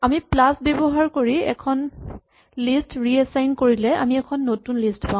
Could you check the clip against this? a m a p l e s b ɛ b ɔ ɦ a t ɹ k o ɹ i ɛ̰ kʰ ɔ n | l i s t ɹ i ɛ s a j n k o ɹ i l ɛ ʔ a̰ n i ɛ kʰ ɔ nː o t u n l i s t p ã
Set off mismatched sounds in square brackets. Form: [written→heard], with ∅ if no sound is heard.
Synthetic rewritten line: a m [a→i] p l [e→a] s b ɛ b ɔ ɦ a [t→∅] ɹ k o ɹ i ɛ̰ kʰ ɔ n | l i s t ɹ i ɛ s a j n k o ɹ i l ɛ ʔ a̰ [n→m] i ɛ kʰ ɔ nː o t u n l i s t p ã